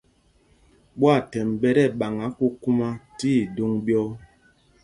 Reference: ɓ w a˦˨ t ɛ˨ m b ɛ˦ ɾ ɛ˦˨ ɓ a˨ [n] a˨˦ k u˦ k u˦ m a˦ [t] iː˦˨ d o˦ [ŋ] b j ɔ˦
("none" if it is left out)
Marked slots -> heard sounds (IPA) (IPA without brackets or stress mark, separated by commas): ŋ, t, ŋ